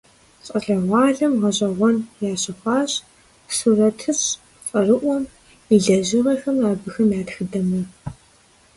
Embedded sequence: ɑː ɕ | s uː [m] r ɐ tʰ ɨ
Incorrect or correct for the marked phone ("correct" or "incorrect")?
incorrect